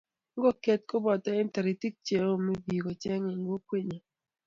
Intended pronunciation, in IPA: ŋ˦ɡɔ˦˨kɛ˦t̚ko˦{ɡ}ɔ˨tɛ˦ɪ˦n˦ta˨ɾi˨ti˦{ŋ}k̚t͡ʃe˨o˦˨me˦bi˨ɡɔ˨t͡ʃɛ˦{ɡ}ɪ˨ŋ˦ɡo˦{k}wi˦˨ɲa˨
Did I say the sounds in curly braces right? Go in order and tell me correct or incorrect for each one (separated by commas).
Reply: incorrect, incorrect, incorrect, correct